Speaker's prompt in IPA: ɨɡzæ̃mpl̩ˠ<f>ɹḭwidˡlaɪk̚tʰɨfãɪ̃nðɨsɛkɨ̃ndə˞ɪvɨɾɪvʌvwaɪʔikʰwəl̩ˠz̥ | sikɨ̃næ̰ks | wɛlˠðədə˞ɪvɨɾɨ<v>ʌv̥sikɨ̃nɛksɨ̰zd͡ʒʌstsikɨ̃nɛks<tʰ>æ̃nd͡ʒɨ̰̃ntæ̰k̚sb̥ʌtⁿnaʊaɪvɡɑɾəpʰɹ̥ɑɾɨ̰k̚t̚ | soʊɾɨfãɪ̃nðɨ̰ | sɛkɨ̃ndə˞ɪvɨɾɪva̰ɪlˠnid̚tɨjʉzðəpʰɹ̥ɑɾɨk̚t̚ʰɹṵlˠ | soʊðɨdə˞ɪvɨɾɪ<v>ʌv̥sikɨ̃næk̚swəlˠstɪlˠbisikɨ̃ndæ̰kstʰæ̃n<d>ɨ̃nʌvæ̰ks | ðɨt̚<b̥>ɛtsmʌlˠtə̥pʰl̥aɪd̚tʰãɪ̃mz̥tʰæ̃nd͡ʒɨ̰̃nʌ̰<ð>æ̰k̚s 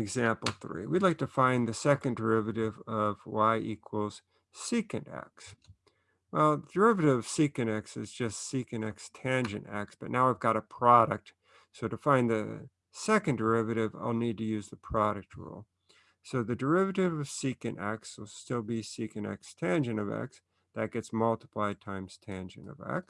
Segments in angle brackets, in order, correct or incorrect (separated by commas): incorrect, correct, correct, correct, incorrect, incorrect, incorrect